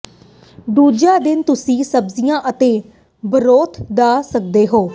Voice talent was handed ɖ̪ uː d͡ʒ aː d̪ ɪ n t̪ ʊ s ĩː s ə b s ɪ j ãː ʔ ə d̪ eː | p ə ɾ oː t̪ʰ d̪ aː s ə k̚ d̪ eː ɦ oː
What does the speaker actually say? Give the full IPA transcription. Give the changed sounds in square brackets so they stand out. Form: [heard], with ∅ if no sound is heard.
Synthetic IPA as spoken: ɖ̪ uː d͡ʒ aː d̪ ɪ n t̪ ʊ s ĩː s ə b [z] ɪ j ãː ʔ ə [t̪] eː | [b] ə ɾ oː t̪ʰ d̪ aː s ə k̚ d̪ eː ɦ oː